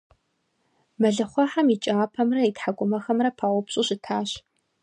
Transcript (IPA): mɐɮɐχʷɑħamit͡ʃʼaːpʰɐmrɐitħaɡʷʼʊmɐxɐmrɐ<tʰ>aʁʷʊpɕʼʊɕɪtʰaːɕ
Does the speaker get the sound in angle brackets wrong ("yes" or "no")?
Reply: yes